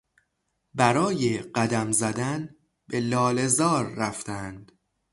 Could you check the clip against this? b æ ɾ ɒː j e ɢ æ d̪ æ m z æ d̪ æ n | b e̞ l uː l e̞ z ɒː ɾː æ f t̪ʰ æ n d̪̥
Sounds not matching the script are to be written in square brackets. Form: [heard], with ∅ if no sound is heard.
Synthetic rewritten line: b æ ɾ ɒː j e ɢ æ d̪ æ m z æ d̪ æ n | b e̞ l [ɒː] l e̞ z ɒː ɾː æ f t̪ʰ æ n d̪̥

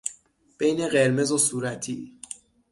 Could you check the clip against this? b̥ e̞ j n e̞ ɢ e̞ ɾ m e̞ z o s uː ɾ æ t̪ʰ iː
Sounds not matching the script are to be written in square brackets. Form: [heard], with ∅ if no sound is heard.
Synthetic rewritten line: b̥ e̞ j n e̞ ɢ e̞ ɾ m e̞ z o s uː ɾ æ t̪ʰ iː

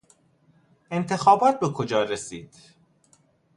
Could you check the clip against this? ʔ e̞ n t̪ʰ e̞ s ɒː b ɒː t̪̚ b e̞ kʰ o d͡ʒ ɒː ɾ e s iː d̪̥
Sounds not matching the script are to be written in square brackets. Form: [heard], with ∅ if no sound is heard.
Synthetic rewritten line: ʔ e̞ n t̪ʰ e̞ [x] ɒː b ɒː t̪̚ b e̞ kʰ o d͡ʒ ɒː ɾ e s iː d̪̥

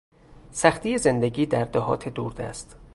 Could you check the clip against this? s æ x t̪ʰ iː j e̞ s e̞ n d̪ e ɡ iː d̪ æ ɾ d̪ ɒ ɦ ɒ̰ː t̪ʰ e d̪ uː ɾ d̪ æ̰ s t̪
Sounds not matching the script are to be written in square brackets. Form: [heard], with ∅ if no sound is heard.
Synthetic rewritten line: s æ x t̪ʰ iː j e̞ [z] e̞ n d̪ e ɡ iː d̪ æ ɾ d̪ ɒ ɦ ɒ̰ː t̪ʰ e d̪ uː ɾ d̪ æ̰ s t̪

